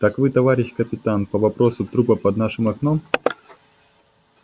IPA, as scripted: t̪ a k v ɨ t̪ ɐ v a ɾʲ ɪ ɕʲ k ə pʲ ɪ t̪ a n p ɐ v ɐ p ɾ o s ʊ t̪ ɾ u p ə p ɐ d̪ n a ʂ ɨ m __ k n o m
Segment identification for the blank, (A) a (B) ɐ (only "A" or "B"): B